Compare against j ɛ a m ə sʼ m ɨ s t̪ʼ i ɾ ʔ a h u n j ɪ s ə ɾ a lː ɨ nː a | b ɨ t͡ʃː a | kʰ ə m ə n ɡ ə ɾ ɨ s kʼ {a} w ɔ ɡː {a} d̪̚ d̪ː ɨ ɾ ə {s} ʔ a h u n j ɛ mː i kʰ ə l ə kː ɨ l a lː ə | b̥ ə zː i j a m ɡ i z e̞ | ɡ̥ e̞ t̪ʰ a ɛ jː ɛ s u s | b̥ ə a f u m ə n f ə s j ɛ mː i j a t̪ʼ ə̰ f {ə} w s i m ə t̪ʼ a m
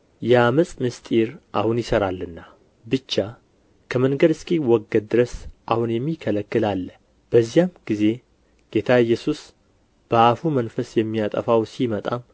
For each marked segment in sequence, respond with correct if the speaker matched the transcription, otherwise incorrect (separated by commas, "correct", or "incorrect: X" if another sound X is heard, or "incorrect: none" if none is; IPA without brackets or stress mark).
incorrect: i, incorrect: ə, correct, incorrect: a